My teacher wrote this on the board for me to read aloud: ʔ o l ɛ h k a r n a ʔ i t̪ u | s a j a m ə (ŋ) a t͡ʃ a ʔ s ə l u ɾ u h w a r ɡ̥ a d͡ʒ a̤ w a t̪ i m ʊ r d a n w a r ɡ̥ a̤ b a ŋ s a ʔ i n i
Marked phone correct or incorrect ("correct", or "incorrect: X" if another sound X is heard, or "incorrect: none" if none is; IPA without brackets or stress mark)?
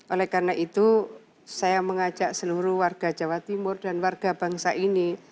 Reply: correct